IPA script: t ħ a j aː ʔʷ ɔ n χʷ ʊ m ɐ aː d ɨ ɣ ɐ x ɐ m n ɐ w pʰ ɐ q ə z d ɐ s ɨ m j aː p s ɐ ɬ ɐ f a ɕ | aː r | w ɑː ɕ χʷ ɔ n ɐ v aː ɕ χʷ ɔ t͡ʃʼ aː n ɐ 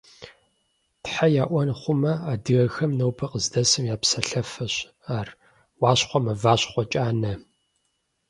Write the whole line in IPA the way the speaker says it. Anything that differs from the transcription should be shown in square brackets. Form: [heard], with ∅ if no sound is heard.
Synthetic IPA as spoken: t ħ a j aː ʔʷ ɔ n χʷ ʊ m ɐ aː d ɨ ɣ ɐ x ɐ m n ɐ w pʰ ɐ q ə z d ɐ s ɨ m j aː p s ɐ ɬ ɐ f [ɐ] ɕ | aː r | w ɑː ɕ χʷ ɔ [m] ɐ v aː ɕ χʷ ɔ t͡ʃʼ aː n ɐ